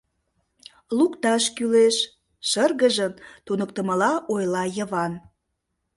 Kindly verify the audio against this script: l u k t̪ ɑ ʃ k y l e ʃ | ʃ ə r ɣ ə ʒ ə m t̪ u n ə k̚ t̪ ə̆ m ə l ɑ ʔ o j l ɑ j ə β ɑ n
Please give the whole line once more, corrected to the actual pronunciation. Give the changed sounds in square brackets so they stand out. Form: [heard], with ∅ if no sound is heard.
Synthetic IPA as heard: l u k t̪ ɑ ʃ k y l e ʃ | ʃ ə r ɣ ə ʒ ə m t̪ u n ə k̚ t̪ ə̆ m ə l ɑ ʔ o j l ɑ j ə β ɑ n